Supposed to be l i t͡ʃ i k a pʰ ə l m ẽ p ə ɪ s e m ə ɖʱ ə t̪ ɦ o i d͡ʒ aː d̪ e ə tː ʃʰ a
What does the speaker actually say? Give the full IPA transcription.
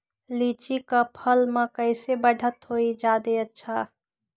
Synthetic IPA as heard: l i t͡ʃ i k a pʰ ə l m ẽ k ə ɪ s e b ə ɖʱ ə t̪ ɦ o i d͡ʒ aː d̪ e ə tː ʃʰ a